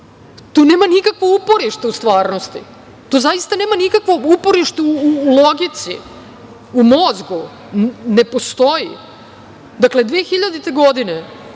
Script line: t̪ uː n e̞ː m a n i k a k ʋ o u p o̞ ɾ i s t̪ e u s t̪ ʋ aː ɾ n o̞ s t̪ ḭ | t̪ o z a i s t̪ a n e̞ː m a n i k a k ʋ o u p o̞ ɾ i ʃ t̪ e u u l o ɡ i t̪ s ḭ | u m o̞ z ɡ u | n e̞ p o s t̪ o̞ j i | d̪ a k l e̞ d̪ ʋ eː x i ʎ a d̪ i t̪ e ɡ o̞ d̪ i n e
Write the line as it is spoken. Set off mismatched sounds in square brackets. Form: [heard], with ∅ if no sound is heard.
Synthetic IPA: t̪ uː n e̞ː m a n i k a k ʋ o u p o̞ ɾ i [ʃ] t̪ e u s t̪ ʋ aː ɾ n o̞ s t̪ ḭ | t̪ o z a i s t̪ a n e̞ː m a n i k a k ʋ o u p o̞ ɾ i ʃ t̪ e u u l o ɡ i t̪ s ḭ | u m o̞ z ɡ u | n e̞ p o s t̪ o̞ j i | d̪ a k l e̞ d̪ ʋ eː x i ʎ a d̪ i t̪ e ɡ o̞ d̪ i n e